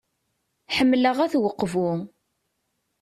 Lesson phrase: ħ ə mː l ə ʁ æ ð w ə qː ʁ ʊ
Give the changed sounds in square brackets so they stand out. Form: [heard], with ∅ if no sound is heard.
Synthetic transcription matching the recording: ħ ə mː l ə ʁ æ [θ] w ə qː [v] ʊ